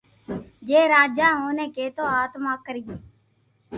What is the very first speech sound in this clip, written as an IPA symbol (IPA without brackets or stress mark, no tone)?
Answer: d͡ʒ